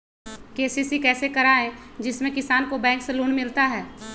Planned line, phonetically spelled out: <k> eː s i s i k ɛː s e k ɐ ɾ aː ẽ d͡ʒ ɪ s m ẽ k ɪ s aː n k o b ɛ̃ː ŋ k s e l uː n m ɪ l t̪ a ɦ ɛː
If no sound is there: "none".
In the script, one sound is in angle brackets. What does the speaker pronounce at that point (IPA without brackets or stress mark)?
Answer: k